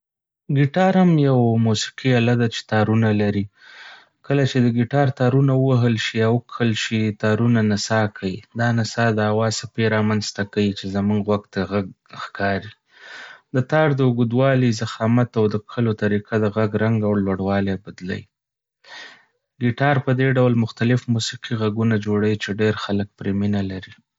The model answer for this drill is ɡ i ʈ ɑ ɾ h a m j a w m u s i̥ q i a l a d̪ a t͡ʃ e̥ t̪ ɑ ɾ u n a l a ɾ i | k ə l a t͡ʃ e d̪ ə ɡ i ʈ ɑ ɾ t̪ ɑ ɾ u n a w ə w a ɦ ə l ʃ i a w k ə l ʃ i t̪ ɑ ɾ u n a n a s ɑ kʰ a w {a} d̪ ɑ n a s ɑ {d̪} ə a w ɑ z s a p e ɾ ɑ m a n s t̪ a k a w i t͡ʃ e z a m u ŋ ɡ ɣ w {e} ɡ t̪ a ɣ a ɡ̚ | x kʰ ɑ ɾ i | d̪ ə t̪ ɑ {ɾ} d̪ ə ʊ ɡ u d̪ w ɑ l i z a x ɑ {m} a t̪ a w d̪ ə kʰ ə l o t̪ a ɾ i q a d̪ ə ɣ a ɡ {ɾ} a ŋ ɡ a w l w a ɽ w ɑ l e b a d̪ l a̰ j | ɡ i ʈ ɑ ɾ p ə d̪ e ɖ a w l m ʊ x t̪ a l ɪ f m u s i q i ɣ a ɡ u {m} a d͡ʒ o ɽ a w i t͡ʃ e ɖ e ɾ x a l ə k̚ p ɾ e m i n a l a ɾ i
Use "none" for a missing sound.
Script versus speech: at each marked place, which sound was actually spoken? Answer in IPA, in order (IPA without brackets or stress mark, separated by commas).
i, d̪, a, ɾ, m, ɾ, n